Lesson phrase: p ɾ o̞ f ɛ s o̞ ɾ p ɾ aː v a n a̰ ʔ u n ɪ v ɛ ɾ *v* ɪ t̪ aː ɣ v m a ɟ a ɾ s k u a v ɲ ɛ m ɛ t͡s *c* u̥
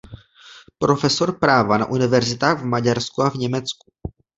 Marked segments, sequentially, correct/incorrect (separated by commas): incorrect, incorrect